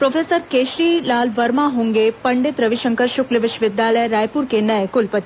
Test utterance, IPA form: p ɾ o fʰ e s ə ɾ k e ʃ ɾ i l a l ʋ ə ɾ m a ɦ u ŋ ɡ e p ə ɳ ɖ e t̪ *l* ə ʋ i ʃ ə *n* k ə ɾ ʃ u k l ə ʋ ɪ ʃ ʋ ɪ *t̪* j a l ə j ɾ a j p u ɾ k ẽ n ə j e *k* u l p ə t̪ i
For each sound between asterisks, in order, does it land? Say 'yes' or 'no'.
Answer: no, no, no, yes

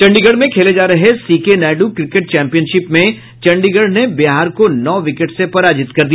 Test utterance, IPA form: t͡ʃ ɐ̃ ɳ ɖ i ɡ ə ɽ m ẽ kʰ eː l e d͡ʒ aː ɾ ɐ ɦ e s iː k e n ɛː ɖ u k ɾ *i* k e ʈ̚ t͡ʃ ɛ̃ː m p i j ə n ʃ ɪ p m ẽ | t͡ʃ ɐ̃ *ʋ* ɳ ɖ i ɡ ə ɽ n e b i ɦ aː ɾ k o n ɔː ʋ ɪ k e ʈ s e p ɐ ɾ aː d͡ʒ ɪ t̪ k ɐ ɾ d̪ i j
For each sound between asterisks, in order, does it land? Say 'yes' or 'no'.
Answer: no, no

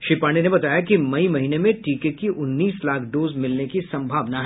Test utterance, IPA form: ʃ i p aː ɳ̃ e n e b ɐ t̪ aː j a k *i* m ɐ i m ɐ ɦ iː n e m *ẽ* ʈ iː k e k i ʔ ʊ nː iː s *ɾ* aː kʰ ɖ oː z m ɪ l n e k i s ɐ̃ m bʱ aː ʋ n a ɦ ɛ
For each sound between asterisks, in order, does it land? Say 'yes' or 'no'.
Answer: yes, yes, no

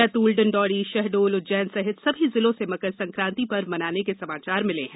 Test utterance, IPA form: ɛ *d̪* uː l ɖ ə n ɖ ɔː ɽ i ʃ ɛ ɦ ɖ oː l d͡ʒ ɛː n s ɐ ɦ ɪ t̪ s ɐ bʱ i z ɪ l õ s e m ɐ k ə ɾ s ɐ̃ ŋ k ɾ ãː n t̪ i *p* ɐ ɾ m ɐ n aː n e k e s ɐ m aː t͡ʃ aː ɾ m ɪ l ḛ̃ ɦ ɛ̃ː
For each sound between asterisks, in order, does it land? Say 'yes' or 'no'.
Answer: no, yes

